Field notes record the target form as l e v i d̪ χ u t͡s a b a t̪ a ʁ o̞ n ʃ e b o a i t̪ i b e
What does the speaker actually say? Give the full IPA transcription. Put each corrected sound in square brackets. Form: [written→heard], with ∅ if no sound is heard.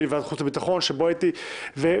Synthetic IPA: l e v [i→a] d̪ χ u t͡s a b [a→i] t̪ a [ʁ→χ] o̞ n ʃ e b o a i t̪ i [b→v] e